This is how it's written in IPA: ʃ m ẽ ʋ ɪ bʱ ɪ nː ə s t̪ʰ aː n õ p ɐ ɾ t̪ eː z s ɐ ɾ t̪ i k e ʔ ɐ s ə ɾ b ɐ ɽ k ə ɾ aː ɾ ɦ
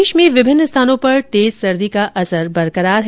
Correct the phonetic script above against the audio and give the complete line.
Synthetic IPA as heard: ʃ m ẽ ʋ ɪ bʱ ɪ nː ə s t̪ʰ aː n õ p ɐ ɾ t̪ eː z s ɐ ɾ d̪ i k a ʔ ɐ s ə ɾ b ɐ ɾ k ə ɾ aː ɾ ɦ